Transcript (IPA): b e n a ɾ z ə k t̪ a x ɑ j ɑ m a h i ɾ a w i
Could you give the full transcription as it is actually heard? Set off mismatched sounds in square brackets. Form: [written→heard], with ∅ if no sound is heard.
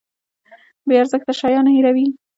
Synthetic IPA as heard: b e [n→∅] a ɾ z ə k t̪ a [x→ʃ] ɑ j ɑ [m→n] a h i ɾ a w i